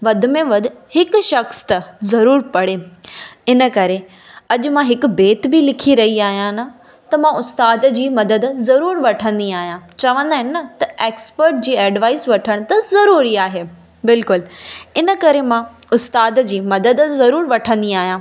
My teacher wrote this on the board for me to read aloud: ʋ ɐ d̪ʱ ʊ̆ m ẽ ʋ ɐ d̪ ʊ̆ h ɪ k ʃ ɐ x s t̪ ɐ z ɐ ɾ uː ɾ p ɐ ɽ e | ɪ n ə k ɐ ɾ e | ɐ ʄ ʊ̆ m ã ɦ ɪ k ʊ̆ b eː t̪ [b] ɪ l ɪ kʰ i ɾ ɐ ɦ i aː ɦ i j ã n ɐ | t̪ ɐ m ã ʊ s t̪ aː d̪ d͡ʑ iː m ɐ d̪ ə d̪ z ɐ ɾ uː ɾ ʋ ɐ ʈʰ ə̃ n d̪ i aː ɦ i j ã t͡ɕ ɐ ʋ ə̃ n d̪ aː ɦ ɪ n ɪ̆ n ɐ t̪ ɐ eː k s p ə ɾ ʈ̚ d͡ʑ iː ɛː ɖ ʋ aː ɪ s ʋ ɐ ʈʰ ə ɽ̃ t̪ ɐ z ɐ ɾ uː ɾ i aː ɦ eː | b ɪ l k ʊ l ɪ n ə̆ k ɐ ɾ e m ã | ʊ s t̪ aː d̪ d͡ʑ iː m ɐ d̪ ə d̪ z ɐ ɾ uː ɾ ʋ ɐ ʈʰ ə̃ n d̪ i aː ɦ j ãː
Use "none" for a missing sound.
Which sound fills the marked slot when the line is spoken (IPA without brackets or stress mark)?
b